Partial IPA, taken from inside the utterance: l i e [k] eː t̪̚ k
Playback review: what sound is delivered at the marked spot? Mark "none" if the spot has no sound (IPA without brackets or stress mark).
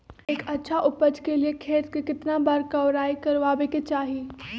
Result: kʰ